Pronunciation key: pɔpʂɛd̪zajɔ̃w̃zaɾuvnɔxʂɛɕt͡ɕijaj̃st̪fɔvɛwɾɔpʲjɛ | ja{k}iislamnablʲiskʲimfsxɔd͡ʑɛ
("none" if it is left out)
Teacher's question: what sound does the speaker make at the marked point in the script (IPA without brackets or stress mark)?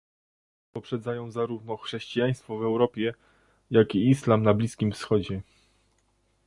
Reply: k